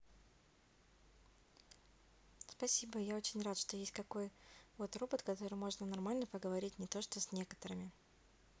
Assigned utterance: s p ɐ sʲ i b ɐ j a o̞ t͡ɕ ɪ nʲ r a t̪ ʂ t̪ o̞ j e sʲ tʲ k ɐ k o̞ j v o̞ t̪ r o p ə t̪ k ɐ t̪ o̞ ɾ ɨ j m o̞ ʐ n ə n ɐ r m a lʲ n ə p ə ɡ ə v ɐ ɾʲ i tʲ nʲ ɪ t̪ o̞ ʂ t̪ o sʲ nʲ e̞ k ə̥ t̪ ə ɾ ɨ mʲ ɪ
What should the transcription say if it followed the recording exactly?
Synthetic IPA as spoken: s p ɐ sʲ i b ə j a o̞ t͡ɕ ɪ nʲ r a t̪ ʂ t̪ o̞ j e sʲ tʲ k ɐ k o̞ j v o̞ t̪ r o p ə t̪ k ɐ t̪ o̞ ɾ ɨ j m o̞ ʐ n ə n ɐ r m a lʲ n ə p ə ɡ ə v ɐ ɾʲ i tʲ nʲ ɪ t̪ o̞ ʂ t̪ o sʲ nʲ e̞ k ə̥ t̪ ə ɾ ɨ mʲ ɪ